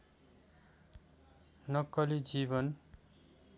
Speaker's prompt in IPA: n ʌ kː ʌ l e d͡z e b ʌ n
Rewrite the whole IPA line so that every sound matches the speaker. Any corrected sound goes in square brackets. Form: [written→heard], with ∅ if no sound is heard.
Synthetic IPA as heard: n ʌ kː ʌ l [e→i] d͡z [e→i] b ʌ n